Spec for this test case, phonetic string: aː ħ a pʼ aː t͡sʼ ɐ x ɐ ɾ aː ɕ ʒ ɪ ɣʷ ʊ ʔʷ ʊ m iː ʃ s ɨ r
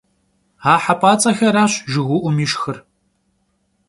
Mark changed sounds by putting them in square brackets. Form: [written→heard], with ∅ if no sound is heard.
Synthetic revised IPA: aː ħ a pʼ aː t͡sʼ ɐ x ɐ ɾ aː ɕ ʒ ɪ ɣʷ ʊ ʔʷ ʊ m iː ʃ [s→x] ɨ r